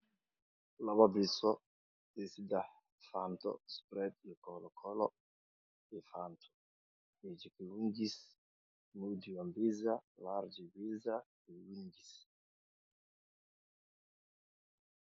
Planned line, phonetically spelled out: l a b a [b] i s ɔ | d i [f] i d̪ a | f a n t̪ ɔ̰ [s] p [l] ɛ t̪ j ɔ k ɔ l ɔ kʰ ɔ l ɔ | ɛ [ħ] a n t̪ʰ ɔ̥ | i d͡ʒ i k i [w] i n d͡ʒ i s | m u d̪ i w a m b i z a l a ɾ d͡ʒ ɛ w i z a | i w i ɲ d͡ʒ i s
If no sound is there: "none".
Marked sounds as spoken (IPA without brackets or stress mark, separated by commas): b, s, s, ɾ, f, w